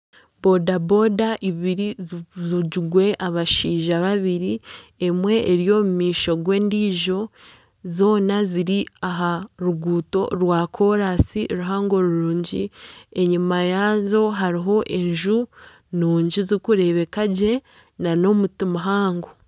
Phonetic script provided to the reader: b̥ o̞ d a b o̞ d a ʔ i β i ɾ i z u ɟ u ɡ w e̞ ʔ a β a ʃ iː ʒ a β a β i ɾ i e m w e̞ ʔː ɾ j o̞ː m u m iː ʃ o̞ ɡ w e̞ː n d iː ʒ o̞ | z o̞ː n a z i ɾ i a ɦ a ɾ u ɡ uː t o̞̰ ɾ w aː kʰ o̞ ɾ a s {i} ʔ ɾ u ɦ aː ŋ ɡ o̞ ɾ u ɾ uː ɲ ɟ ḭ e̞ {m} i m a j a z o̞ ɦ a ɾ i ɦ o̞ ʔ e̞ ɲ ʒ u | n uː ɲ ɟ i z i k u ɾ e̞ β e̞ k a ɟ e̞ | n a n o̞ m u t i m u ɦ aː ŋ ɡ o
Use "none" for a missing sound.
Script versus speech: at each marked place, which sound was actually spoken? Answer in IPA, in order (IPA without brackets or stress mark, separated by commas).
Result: i, ɲ